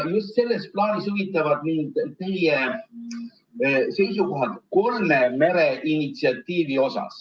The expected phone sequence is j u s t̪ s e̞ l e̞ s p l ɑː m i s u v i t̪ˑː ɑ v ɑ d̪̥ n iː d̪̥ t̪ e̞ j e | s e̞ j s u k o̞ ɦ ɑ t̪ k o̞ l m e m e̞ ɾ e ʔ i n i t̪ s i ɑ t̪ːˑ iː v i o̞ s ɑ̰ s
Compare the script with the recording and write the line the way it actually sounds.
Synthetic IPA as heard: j u s t̪ s e̞ lː e̞ s p l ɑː n i s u v i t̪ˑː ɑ v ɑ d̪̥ n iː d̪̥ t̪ e̞ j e | s e̞ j s u k o̞ ɦ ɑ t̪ k o̞ l m e m e̞ ɾ e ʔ i n i t̪ s i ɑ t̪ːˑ iː v i o̞ s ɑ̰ s